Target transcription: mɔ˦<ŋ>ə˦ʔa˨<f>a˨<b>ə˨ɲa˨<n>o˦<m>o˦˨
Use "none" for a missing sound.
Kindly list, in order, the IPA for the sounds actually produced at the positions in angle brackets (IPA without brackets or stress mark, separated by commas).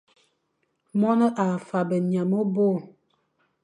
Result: n, f, b, m, b